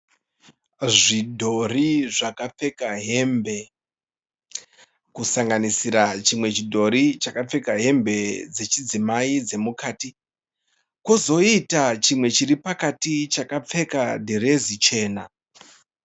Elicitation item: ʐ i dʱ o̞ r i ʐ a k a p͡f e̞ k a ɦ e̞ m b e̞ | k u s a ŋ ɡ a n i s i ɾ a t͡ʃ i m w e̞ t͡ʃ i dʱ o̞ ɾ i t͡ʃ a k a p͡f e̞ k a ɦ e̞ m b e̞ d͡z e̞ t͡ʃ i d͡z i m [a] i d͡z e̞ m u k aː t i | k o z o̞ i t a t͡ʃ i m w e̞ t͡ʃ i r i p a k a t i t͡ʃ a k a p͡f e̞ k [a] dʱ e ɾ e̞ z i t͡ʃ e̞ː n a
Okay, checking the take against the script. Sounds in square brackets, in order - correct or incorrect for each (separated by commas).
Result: correct, correct